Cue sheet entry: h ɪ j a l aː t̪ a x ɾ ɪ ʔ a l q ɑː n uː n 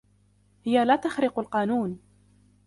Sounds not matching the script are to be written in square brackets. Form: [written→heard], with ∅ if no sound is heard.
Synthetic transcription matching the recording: h ɪ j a l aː t̪ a x ɾ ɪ [ʔ→q] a l q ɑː n uː n